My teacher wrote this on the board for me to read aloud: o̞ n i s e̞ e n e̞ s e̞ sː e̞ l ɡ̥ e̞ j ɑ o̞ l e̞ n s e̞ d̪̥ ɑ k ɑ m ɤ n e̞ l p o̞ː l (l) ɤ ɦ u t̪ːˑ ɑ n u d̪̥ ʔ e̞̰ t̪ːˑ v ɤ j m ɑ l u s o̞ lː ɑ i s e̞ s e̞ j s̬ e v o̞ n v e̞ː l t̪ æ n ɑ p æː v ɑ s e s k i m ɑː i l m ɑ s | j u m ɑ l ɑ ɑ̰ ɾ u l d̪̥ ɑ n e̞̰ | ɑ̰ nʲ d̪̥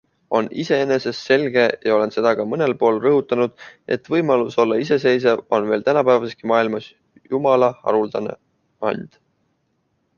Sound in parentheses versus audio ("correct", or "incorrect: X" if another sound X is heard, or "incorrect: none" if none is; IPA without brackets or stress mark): incorrect: r